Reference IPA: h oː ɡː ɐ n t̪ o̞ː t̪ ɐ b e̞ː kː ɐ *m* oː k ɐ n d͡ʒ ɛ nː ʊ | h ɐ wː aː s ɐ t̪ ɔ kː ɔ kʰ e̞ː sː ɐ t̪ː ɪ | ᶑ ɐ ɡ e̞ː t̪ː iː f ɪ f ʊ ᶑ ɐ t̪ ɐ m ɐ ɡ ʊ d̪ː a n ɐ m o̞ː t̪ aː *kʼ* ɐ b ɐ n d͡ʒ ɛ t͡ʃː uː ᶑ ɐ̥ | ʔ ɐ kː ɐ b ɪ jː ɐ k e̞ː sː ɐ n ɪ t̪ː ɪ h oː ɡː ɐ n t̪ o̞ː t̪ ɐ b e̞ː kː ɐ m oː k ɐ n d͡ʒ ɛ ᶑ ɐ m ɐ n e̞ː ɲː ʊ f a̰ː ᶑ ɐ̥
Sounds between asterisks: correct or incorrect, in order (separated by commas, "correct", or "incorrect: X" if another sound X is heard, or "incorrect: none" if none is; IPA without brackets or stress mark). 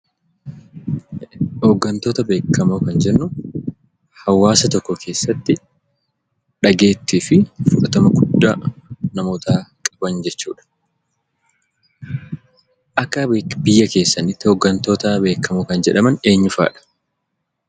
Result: correct, correct